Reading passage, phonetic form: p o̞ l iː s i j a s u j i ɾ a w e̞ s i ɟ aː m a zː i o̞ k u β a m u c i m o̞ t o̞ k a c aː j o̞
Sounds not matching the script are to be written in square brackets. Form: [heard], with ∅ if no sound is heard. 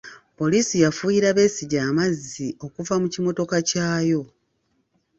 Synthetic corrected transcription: p o̞ l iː s i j a [f] u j i ɾ a [β] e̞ s i ɟ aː m a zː i o̞ k u [v] a m u c i m o̞ t o̞ k a c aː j o̞